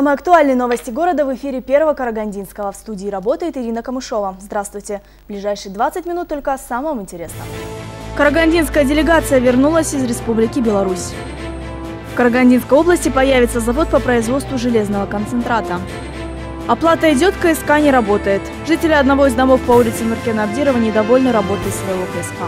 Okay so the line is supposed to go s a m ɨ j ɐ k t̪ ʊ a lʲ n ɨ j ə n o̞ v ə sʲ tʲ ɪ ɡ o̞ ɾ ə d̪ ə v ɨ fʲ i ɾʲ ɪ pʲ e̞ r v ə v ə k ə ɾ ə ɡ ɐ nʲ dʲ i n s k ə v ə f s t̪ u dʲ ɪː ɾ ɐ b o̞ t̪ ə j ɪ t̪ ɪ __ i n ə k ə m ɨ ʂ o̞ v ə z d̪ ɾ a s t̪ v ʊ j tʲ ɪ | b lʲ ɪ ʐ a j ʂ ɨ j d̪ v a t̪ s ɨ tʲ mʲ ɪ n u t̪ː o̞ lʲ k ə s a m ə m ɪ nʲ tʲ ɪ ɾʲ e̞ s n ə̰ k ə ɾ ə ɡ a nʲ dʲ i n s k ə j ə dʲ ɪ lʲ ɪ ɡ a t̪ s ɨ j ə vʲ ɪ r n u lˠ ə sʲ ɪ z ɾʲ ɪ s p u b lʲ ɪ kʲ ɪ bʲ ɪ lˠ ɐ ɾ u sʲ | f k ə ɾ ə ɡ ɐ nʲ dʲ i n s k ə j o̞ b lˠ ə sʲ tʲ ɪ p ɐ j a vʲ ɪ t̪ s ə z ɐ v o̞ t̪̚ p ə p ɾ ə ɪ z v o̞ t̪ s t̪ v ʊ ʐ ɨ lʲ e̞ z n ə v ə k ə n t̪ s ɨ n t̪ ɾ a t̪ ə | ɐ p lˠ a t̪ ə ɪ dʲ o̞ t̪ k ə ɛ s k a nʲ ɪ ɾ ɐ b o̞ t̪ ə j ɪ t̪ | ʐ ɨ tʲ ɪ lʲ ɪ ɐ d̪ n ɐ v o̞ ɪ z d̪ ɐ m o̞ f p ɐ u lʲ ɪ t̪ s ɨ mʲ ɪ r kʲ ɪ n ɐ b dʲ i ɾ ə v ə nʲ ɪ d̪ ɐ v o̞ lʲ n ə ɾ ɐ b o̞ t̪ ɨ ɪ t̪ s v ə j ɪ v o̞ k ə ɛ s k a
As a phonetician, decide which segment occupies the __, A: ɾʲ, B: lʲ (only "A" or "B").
A